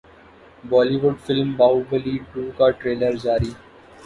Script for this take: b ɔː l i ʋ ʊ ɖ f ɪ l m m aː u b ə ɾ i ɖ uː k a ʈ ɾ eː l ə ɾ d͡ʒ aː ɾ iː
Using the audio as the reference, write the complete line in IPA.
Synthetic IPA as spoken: b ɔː l i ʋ ʊ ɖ f ɪ l m b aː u b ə l i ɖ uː k a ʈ ɾ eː l ə ɾ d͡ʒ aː ɾ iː